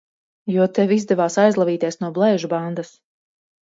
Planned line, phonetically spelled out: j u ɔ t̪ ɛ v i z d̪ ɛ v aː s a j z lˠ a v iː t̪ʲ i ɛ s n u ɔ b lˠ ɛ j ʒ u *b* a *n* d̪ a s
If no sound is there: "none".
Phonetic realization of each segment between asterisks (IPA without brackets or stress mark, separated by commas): b, n